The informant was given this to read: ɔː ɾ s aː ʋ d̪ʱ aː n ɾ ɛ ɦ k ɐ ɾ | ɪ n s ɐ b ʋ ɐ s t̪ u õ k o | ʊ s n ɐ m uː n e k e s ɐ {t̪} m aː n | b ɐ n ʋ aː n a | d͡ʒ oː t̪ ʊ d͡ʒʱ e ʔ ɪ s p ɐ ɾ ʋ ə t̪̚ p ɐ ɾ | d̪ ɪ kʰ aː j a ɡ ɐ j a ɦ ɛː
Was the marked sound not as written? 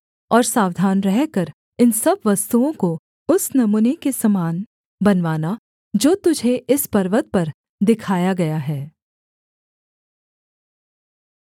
yes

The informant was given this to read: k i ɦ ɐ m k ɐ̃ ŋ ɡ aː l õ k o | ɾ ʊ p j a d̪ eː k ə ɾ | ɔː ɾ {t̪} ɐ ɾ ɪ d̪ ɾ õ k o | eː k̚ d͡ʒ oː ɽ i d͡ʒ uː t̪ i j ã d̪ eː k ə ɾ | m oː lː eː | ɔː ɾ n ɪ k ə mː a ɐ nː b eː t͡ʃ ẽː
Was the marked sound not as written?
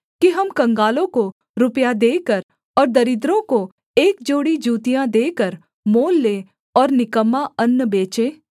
yes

